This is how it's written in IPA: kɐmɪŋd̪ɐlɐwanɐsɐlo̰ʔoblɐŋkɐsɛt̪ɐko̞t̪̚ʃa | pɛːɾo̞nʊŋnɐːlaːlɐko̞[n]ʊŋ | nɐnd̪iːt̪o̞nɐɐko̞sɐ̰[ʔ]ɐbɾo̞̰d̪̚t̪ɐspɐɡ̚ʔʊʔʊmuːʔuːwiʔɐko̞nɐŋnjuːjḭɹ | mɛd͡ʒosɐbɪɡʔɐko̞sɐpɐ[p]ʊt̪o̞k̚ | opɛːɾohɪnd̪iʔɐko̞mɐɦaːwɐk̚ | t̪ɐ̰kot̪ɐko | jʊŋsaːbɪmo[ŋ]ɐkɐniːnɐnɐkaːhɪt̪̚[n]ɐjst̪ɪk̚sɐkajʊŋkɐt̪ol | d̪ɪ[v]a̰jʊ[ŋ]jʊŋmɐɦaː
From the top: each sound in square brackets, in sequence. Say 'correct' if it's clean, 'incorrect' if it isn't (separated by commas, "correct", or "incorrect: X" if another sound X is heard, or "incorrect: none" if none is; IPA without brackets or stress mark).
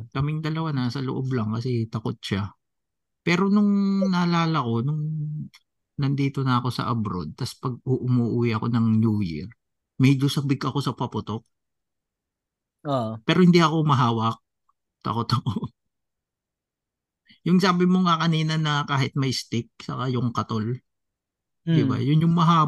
correct, correct, correct, correct, incorrect: m, incorrect: b, incorrect: n